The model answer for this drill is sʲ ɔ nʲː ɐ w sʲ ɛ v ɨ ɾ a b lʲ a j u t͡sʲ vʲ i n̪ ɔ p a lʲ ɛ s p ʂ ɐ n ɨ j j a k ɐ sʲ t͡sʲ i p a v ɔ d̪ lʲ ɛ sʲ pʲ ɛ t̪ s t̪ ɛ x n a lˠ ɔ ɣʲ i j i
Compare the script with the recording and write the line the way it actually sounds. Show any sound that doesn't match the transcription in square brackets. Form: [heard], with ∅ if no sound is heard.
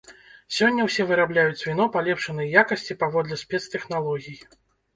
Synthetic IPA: sʲ ɔ nʲː ɐ w sʲ ɛ v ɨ ɾ a b lʲ a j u t͡sʲ vʲ i n̪ ɔ p a lʲ ɛ [∅] p ʂ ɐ n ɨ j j a k ɐ sʲ t͡sʲ i p a v ɔ d̪ lʲ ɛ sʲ pʲ ɛ t̪ s t̪ ɛ x n a lˠ ɔ ɣʲ i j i